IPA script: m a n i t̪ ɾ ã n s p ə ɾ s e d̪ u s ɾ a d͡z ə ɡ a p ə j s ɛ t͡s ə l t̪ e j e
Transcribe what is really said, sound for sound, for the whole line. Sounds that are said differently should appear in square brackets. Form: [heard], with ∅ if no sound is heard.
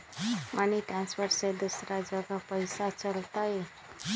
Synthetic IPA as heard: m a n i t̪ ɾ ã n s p ə ɾ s e d̪ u s ɾ a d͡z ə ɡ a p ə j s [a] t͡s ə l t̪ [a] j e